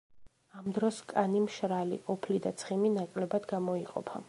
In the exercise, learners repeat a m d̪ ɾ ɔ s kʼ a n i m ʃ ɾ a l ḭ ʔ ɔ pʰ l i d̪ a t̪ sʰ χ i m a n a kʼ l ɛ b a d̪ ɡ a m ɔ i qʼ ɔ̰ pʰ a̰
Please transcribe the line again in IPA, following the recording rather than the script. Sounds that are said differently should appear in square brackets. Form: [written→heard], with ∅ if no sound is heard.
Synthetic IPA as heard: a m d̪ ɾ ɔ s kʼ a n i m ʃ ɾ a l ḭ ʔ ɔ pʰ l i d̪ a t̪ sʰ χ i m [a→i] n a kʼ l ɛ b a d̪ ɡ a m ɔ i qʼ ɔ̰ pʰ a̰